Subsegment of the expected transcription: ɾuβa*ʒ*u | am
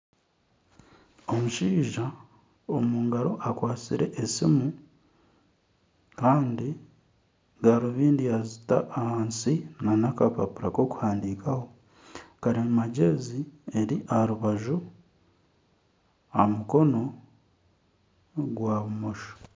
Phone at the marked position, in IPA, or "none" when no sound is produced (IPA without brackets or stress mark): ʒ